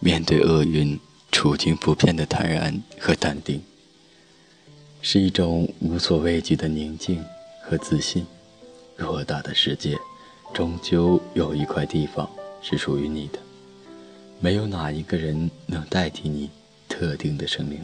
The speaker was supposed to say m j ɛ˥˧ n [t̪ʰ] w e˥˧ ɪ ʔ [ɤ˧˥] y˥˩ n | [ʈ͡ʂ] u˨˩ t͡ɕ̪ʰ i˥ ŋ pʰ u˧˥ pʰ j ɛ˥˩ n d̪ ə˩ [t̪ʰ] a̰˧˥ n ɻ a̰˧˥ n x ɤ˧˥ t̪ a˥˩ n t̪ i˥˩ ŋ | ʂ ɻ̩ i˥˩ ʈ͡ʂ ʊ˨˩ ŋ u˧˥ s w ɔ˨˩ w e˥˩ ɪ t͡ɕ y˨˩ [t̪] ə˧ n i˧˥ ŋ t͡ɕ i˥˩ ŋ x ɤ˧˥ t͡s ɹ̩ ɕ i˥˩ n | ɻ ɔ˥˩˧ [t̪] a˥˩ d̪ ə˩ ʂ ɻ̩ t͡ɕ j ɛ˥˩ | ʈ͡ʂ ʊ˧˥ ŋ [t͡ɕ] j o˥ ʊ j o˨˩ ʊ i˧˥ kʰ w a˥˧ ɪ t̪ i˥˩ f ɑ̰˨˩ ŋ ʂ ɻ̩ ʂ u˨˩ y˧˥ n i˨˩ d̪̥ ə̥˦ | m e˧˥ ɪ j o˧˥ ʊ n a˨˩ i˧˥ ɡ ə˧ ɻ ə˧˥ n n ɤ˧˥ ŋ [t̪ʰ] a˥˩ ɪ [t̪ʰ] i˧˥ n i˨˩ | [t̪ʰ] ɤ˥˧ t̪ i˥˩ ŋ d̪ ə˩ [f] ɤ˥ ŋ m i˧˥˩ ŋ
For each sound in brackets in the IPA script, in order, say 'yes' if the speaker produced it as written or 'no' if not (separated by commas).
no, no, no, yes, no, yes, yes, no, yes, yes, no